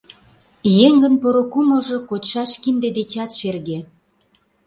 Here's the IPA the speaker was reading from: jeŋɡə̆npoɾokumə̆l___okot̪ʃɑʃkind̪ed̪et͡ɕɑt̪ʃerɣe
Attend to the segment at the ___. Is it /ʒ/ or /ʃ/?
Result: ʒ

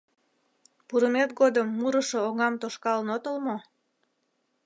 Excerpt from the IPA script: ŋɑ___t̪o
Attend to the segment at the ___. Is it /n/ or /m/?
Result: m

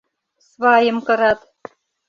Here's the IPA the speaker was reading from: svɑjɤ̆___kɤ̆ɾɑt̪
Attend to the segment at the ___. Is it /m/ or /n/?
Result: m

